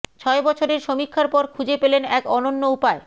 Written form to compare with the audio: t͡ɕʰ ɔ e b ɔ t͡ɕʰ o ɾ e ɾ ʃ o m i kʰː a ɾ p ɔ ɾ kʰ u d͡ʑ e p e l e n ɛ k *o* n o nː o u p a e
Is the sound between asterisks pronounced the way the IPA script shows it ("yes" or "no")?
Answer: no